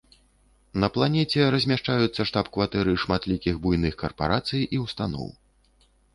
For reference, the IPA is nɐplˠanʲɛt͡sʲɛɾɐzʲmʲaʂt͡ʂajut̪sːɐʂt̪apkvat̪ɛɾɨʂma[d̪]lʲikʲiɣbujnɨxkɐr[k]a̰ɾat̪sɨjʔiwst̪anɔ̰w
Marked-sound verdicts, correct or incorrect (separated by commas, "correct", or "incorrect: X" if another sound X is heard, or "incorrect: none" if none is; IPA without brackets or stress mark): incorrect: t̪, incorrect: p